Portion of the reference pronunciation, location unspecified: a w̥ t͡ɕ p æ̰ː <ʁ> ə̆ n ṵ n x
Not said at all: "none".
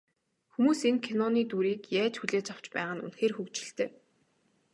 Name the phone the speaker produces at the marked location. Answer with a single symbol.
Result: ʁ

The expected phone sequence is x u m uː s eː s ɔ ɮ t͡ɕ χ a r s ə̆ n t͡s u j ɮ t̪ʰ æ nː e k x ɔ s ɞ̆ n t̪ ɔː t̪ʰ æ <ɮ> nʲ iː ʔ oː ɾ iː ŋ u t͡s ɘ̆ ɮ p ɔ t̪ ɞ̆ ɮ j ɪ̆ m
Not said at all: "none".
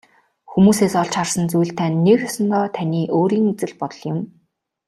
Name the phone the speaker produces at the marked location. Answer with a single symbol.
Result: none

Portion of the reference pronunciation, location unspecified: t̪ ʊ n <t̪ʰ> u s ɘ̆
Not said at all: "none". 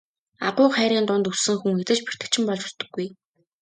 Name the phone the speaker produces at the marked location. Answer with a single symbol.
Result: t̪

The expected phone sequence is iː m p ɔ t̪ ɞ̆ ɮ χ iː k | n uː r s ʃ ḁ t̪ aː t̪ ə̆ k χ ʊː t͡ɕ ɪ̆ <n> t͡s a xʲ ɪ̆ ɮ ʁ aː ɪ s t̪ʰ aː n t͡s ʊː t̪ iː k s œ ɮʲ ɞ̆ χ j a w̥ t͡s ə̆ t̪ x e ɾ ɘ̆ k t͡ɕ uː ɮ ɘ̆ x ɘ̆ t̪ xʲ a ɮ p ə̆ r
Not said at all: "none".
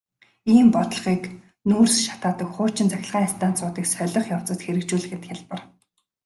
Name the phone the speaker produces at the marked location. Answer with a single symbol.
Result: n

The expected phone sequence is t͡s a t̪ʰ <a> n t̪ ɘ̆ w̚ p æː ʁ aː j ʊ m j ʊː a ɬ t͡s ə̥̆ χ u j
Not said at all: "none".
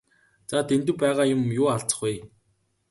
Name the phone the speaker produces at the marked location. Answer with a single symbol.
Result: e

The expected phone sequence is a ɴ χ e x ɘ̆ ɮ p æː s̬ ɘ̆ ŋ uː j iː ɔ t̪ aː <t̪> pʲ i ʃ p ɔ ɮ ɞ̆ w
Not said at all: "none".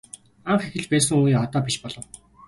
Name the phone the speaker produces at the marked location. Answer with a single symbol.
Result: none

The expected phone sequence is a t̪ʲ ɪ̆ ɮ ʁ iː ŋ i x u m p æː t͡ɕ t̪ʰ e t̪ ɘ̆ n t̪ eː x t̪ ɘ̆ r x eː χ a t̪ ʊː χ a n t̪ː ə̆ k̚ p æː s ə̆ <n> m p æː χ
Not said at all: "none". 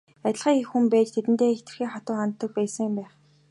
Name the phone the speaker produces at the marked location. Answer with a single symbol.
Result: ŋ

